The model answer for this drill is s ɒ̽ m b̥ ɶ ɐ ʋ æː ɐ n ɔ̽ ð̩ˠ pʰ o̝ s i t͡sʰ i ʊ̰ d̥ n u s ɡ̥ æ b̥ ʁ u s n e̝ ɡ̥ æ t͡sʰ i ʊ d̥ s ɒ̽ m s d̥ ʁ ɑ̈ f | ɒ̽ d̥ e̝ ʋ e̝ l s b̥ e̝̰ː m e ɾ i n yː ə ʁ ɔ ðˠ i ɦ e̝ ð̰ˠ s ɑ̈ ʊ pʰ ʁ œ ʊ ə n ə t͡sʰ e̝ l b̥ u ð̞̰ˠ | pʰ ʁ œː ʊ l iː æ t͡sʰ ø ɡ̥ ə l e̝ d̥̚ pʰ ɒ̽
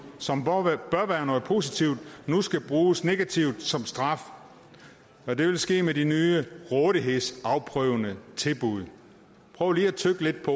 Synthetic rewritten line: s ɒ̽ m b̥ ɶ ɐ ʋ æː ɐ n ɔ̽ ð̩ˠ pʰ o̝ s i t͡sʰ i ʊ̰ d̥ n u s ɡ̥ æ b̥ ʁ uː s n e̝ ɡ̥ æ t͡sʰ i ʊ d̥ s ɒ̽ m s d̥ ʁ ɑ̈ f | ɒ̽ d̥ e̝ ʋ e̝ l s ɡ̥ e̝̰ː m e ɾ i n yː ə ʁ ɔ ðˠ i ɦ e̝ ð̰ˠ s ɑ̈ ʊ pʰ ʁ œ ʊ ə n ə t͡sʰ e̝ l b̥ u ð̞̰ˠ | pʰ ʁ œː ʊ l iː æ t͡sʰ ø ɡ̥ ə l e̝ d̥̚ pʰ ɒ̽